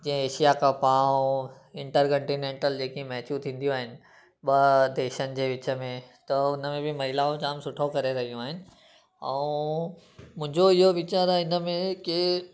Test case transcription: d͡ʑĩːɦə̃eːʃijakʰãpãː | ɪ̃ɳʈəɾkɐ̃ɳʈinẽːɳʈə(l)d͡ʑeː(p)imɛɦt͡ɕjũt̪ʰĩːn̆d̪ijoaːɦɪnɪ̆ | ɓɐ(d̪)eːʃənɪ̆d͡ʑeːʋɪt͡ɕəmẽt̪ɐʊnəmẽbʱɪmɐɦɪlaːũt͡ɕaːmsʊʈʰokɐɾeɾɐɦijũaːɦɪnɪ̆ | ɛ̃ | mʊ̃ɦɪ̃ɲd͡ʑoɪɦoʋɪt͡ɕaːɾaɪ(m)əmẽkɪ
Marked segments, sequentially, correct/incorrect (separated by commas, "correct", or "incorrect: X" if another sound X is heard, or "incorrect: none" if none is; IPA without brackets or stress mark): correct, incorrect: k, correct, incorrect: n